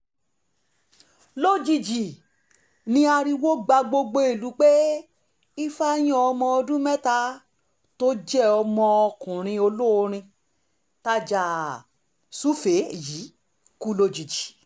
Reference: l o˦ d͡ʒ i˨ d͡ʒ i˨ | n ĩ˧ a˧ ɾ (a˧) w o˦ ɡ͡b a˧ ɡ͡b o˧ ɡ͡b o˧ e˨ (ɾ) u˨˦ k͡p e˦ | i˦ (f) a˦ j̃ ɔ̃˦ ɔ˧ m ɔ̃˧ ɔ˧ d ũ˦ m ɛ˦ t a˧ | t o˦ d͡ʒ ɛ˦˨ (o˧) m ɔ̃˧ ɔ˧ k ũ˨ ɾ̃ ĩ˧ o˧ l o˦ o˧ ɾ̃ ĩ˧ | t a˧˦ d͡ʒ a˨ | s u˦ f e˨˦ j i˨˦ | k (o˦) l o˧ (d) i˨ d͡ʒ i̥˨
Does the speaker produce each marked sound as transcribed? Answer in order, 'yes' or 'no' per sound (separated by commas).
no, no, yes, no, no, no